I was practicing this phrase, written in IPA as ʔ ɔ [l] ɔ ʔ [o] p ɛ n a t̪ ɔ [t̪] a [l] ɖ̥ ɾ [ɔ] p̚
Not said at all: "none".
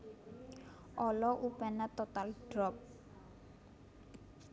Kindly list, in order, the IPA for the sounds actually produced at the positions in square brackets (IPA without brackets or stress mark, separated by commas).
l, u, t̪, l, ɔ